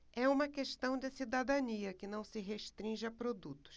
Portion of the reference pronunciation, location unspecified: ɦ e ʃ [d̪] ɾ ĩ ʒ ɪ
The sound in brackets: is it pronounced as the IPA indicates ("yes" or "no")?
no